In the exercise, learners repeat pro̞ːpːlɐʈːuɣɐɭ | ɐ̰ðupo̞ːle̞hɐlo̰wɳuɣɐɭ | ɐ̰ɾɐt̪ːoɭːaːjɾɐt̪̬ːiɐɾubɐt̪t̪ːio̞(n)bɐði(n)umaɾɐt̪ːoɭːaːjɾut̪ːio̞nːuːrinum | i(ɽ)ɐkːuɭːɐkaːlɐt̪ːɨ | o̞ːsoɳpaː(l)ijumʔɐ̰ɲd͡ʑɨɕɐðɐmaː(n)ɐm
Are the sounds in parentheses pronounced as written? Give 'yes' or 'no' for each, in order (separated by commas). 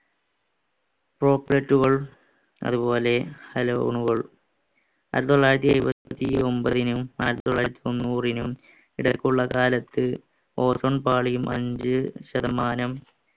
no, yes, yes, no, yes